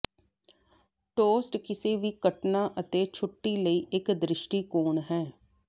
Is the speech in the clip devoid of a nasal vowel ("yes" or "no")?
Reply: yes